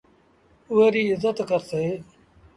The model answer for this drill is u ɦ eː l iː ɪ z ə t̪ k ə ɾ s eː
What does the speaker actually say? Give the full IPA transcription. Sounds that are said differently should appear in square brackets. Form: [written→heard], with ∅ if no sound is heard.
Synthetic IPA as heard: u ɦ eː [l→ɾ] iː ɪ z ə t̪ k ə ɾ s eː